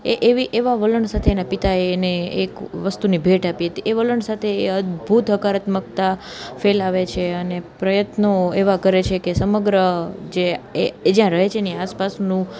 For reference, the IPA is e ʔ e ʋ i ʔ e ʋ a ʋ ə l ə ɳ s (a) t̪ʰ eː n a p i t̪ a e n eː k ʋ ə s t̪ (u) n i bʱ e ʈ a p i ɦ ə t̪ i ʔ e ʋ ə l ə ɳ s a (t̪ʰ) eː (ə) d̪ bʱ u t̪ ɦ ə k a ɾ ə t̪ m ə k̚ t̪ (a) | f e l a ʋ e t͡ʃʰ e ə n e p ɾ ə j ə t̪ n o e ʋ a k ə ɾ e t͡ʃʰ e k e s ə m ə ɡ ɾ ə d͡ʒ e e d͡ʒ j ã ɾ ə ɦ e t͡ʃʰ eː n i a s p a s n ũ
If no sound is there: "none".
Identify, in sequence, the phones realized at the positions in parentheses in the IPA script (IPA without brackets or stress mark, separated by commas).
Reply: a, u, t̪ʰ, ə, a